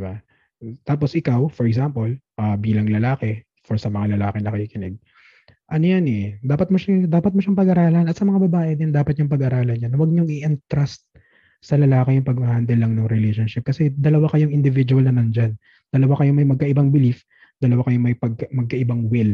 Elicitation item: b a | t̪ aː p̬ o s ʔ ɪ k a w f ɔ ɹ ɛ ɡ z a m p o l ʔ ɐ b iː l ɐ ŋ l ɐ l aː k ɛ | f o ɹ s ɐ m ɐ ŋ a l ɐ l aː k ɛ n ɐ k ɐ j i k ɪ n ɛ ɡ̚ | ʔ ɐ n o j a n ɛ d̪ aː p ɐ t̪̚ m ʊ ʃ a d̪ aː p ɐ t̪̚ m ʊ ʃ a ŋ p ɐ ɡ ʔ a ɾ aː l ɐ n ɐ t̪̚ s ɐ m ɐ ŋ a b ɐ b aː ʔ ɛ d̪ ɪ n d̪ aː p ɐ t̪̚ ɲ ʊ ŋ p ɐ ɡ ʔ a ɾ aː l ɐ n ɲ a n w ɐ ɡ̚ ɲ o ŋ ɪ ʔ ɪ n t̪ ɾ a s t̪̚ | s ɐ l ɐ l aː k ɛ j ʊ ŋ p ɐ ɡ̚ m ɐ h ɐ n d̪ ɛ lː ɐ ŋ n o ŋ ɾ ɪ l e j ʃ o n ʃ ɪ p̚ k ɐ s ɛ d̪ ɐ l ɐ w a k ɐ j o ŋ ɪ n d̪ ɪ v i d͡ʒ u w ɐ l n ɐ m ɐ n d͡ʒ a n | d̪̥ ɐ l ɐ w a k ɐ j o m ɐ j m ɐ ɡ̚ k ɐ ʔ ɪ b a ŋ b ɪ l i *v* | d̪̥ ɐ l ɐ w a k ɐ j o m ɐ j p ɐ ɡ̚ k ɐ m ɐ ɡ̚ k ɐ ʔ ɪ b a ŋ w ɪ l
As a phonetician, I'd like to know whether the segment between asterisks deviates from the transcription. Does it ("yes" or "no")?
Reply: yes